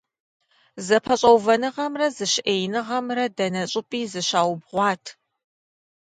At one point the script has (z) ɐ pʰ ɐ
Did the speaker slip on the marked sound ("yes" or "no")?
no